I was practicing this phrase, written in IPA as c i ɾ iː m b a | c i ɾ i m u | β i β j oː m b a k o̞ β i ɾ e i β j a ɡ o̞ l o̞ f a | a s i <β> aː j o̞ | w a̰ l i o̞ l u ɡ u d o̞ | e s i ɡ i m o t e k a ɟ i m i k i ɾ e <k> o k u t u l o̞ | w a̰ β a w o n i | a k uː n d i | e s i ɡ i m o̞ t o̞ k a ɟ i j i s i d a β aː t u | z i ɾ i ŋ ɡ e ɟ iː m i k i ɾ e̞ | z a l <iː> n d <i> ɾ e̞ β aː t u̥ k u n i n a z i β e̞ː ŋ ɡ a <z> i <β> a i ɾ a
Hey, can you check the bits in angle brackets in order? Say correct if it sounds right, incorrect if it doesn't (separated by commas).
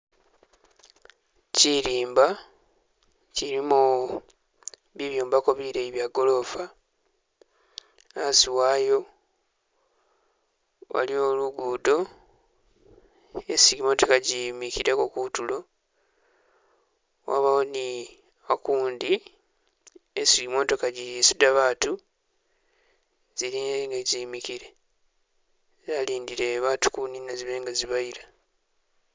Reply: incorrect, correct, correct, correct, correct, correct